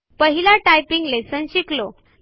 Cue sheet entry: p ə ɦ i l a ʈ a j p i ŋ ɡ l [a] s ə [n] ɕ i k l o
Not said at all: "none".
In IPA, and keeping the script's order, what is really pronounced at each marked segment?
e, n

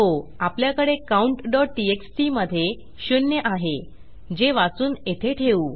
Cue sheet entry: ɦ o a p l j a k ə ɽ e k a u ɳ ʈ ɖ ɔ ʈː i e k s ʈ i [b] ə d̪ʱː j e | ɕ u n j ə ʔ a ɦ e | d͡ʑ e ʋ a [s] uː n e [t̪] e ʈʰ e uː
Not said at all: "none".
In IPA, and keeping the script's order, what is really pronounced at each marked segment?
m, t͡s, t̪ʰ

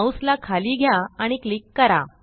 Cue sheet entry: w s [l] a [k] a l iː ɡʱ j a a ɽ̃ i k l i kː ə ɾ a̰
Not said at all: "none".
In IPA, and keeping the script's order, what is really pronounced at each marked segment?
l, kʰ

